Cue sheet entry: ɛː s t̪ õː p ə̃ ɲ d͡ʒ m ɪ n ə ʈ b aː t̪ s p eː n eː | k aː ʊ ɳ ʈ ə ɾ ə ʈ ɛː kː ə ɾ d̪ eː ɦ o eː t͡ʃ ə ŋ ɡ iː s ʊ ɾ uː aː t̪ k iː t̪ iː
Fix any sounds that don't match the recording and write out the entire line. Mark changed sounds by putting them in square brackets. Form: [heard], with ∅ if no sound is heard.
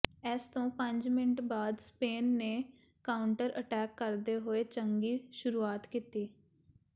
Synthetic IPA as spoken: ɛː s t̪ õː p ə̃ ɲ d͡ʒ m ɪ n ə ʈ b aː [d̪] s p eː [nː] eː | k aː ʊ ɳ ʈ ə ɾ ə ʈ ɛː kː ə ɾ d̪ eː ɦ o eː t͡ʃ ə ŋ ɡ iː [ʃ] ʊ ɾ uː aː t̪ k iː t̪ iː